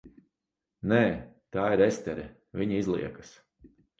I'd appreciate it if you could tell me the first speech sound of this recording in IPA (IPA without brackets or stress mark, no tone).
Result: n